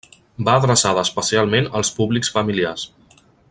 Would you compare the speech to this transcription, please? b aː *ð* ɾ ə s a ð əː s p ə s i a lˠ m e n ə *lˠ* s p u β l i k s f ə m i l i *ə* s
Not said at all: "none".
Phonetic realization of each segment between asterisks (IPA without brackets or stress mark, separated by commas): ð, lˠ, a